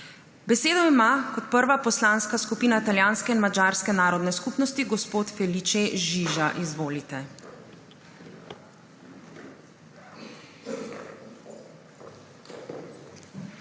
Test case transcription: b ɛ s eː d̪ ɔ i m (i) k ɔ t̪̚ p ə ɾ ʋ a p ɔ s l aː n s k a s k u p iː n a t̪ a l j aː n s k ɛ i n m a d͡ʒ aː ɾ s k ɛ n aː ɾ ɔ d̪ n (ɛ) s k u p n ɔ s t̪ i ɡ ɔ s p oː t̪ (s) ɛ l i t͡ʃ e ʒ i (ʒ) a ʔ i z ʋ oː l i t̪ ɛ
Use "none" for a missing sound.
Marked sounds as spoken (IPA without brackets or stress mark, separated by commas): a, ɛ, f, ʒ